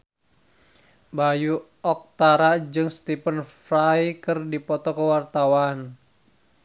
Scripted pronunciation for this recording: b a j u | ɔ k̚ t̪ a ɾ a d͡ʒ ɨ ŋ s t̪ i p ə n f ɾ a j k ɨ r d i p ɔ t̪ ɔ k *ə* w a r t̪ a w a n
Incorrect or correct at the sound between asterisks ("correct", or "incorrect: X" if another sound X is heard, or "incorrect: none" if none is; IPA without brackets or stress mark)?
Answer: correct